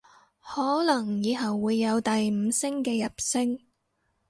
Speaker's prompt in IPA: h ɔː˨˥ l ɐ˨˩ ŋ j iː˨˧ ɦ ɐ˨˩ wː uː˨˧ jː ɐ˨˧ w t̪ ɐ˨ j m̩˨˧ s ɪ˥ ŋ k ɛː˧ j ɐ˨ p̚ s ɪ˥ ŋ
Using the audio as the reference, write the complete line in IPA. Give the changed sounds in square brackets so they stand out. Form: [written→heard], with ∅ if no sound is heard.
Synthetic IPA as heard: h ɔː˨˥ l ɐ˨˩ ŋ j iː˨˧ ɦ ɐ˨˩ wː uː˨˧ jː ɐ˨˧ w t̪ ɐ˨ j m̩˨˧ s ɪ˥ ŋ k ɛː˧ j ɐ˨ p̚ s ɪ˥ ŋ